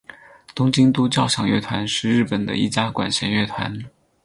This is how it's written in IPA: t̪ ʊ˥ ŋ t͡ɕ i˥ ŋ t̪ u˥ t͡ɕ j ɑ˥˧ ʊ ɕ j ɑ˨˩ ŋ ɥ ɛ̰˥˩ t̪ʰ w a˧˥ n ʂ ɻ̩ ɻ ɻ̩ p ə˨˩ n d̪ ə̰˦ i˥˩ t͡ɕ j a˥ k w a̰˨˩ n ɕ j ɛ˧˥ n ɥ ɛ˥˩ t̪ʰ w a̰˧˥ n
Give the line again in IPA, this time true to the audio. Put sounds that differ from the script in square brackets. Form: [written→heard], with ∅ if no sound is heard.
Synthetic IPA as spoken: t̪ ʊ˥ ŋ t͡ɕ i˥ ŋ t̪ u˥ t͡ɕ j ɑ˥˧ ʊ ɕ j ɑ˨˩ ŋ ɥ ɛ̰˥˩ t̪ʰ w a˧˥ n ʂ ɻ̩ ɻ ɻ̩ p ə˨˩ n d̪ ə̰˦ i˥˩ t͡ɕ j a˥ k w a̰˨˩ n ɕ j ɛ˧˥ n ɥ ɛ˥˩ t̪ʰ w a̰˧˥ n